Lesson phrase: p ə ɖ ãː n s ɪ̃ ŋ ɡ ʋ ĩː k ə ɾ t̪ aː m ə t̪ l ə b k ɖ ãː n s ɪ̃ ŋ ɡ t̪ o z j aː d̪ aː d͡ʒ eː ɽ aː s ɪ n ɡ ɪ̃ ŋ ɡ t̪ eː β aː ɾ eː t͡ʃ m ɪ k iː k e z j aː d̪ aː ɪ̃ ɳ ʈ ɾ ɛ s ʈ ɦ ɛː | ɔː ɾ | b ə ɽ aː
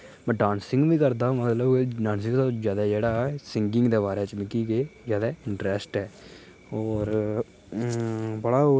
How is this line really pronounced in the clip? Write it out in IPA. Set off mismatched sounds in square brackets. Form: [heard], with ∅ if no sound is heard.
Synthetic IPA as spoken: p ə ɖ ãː n s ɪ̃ ŋ ɡ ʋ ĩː k ə ɾ [d̪] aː m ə t̪ l ə b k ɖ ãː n s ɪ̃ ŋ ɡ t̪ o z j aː d̪ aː d͡ʒ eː ɽ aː s ɪ [ŋ] ɡ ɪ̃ ŋ ɡ [d̪] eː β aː ɾ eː t͡ʃ m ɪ k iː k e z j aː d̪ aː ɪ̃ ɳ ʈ ɾ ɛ s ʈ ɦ ɛː | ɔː ɾ | b ə ɽ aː